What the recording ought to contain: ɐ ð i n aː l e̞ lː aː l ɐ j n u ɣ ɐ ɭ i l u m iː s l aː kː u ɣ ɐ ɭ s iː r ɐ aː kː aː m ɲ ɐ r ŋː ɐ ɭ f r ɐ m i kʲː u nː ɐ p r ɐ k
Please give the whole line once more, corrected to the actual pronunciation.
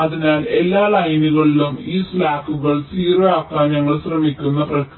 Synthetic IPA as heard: ɐ ð i n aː l e̞ lː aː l ɐ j n u ɣ ɐ ɭ i l u m iː s l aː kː u ɣ ɐ ɭ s iː r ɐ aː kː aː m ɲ ɐ ŋː ɐ ɭ ɕ r ɐ m i kʲː u nː ɐ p r ɐ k